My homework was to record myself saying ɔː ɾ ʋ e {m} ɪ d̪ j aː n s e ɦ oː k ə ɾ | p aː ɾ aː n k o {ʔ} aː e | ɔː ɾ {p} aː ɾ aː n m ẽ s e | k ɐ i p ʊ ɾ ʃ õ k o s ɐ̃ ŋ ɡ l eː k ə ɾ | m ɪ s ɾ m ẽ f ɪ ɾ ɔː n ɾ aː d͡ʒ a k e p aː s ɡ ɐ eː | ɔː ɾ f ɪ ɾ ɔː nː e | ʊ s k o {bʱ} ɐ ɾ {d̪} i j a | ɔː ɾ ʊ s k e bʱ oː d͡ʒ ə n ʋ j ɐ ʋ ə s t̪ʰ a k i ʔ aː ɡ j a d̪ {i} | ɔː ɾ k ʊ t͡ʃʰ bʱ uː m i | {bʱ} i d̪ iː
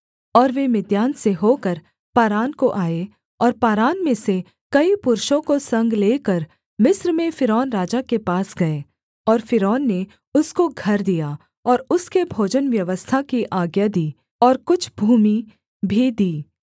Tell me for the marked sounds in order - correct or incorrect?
correct, correct, correct, incorrect: ɡʱ, correct, incorrect: iː, correct

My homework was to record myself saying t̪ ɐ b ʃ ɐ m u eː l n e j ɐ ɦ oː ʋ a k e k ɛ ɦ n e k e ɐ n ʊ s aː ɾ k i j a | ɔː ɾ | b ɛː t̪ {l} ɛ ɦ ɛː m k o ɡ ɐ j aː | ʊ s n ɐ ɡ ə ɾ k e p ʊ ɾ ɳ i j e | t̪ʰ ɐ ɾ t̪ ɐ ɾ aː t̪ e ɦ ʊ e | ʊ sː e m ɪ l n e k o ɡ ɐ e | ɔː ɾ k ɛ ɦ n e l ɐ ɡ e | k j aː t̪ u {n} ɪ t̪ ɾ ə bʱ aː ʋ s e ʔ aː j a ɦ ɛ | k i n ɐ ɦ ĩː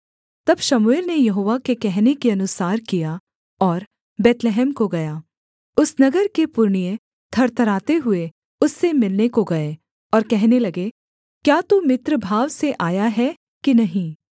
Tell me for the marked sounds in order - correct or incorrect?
correct, incorrect: m

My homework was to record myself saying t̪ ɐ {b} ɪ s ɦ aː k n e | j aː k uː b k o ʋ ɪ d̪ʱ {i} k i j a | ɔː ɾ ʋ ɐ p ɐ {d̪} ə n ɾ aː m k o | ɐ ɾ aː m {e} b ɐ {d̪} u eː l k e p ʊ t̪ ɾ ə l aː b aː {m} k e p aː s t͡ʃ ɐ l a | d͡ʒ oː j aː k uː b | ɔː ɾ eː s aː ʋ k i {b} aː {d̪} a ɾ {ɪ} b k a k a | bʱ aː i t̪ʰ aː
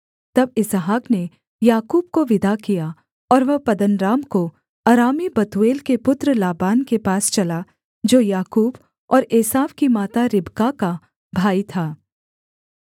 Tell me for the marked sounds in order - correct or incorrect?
correct, incorrect: a, correct, incorrect: i, incorrect: t̪, incorrect: n, incorrect: m, incorrect: t̪, correct

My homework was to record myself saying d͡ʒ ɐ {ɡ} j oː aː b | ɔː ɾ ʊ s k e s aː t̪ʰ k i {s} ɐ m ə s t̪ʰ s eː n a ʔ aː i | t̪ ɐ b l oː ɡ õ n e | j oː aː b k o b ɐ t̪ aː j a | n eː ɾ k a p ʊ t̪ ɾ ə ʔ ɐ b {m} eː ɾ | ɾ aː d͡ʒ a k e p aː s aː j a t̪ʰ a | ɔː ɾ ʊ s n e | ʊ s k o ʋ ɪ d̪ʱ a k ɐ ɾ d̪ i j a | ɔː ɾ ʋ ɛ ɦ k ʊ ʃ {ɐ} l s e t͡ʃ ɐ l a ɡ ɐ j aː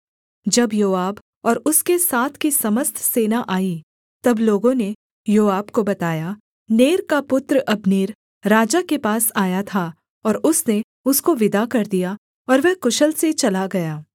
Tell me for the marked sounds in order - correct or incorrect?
incorrect: b, correct, incorrect: n, incorrect: ə

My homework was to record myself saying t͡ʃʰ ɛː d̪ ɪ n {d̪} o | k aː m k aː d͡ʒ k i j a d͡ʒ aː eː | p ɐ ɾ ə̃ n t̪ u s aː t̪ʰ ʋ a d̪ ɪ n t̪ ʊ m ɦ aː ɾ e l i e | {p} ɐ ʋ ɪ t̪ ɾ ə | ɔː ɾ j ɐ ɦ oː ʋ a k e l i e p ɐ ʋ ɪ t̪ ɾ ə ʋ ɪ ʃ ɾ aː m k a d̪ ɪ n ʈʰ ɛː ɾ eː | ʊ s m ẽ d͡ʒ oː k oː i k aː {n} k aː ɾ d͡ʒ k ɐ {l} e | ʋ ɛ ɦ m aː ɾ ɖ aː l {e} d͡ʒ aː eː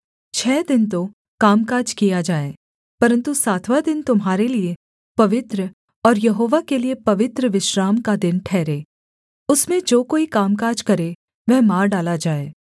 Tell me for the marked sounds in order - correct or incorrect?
incorrect: t̪, correct, incorrect: m, incorrect: ɾ, incorrect: a

